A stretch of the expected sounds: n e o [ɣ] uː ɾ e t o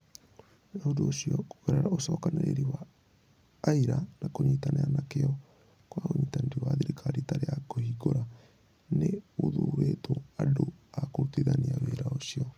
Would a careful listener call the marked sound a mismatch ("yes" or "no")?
yes